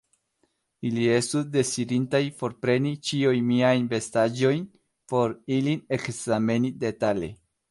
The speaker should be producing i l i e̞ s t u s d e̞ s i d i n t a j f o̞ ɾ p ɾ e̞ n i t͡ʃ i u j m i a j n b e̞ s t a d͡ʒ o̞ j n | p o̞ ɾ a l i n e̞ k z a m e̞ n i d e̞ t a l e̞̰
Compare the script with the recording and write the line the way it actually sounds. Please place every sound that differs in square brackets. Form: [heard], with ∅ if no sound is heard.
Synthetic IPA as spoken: i l i e̞ s t u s d e̞ s i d i n t a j f o̞ ɾ p ɾ e̞ n i t͡ʃ i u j m i a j n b e̞ s t a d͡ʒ o̞ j n | p o̞ ɾ [i] l i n e̞ k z a m e̞ n i d e̞ t a l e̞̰